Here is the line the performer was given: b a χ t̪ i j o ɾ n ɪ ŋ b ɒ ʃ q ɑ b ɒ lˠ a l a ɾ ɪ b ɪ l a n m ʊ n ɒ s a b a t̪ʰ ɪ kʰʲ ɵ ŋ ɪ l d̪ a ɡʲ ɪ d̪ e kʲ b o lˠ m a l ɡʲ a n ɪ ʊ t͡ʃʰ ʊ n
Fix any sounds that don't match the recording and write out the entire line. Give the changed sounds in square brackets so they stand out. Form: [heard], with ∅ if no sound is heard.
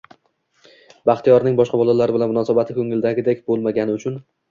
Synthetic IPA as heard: b a χ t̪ i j [ɒ] ɾ n ɪ ŋ b ɒ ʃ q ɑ b ɒ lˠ a l a ɾ ɪ b ɪ l a n m ʊ n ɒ s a b a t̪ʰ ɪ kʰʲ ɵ ŋ ɪ l d̪ a ɡʲ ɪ d̪ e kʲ b o lˠ m a [∅] ɡʲ a n ɪ ʊ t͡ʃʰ ʊ n